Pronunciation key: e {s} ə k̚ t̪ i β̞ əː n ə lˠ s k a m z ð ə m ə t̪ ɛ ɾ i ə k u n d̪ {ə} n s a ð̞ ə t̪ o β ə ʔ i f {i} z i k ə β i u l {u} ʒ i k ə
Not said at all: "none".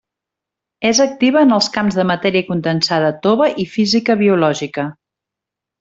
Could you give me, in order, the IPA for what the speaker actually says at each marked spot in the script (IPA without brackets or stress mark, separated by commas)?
z, ə, i, ɔ